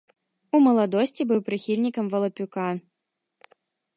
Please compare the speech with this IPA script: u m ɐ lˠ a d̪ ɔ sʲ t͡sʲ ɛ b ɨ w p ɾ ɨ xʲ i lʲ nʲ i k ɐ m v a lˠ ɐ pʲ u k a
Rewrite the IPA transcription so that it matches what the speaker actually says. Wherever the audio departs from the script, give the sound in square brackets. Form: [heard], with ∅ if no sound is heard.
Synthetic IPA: u m ɐ lˠ a d̪ ɔ sʲ t͡sʲ [i] b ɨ w p ɾ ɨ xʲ i lʲ nʲ i k ɐ m v [ɐ] lˠ ɐ pʲ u k a